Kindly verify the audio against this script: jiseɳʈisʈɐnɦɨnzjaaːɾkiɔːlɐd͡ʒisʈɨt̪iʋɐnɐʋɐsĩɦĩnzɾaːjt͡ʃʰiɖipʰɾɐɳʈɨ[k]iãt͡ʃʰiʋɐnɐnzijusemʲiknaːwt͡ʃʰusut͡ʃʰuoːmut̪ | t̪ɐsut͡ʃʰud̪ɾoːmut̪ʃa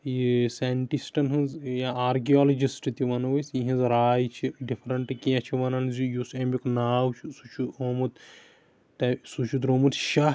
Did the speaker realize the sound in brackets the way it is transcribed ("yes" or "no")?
yes